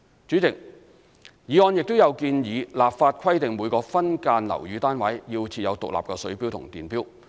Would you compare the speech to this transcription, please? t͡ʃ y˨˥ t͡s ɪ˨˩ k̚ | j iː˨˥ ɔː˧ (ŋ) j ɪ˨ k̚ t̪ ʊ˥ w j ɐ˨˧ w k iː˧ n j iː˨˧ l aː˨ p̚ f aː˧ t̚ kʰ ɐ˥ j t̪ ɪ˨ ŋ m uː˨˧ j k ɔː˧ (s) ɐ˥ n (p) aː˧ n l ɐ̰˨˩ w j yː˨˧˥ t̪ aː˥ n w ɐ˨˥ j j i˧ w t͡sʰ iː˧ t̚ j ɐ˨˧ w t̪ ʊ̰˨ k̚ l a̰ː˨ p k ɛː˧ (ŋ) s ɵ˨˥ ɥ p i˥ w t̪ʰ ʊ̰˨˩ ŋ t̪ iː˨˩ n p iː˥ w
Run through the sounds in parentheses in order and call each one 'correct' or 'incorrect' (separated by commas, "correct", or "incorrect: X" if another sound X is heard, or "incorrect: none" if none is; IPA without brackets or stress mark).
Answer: incorrect: n, incorrect: f, incorrect: k, incorrect: none